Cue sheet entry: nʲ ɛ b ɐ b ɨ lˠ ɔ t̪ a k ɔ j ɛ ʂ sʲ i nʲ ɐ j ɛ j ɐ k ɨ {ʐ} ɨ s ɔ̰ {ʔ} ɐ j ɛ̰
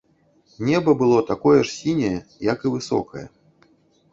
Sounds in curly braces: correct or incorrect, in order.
incorrect, incorrect

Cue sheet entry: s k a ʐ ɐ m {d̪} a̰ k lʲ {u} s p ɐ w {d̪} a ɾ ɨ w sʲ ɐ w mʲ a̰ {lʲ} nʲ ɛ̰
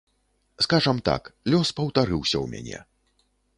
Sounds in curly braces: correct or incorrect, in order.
incorrect, incorrect, incorrect, incorrect

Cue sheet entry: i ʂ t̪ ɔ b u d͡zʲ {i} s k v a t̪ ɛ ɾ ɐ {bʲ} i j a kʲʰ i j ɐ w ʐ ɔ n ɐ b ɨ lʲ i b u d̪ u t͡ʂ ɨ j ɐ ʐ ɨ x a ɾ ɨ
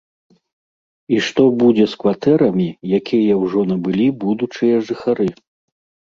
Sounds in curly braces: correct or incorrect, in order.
incorrect, incorrect

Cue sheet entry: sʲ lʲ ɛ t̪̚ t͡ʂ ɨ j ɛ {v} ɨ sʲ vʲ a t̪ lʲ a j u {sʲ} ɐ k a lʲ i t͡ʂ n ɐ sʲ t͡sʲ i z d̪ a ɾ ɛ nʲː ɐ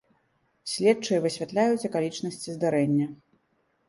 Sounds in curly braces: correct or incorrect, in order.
correct, incorrect

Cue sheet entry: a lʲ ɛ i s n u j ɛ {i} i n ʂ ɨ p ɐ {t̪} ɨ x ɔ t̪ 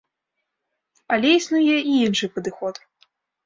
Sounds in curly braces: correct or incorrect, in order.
correct, incorrect

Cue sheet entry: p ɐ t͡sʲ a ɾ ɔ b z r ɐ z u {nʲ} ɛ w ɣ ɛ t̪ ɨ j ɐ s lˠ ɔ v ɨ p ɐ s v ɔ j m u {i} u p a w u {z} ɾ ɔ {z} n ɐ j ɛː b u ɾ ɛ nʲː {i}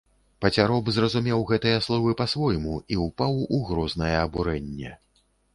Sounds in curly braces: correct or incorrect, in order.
incorrect, correct, incorrect, correct, incorrect

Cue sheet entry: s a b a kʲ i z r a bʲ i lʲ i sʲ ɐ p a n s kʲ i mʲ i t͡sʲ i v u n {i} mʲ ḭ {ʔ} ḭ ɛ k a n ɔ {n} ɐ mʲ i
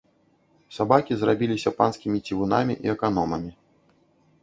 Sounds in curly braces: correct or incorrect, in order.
incorrect, correct, incorrect

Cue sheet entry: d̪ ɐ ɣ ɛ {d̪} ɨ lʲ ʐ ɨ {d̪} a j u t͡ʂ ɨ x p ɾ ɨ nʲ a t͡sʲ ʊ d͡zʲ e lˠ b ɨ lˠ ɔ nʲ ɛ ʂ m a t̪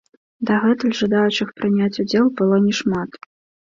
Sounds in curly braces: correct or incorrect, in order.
incorrect, correct

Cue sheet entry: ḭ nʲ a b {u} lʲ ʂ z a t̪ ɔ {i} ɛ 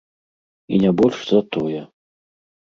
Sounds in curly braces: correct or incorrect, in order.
incorrect, incorrect

